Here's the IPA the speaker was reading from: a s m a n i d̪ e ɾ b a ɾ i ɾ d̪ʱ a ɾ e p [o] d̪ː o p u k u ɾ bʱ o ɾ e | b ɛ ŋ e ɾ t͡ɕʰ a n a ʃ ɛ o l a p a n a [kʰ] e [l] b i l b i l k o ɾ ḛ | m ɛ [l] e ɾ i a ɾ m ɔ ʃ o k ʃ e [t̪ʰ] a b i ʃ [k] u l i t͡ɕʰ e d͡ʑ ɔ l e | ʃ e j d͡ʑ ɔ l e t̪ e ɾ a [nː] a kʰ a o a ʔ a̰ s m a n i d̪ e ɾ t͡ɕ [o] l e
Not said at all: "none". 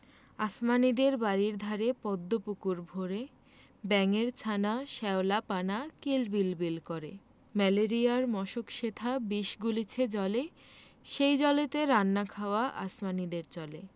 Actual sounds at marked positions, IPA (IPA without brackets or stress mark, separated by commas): ɔ, k, l, l, t̪ʰ, ɡ, nː, ɔ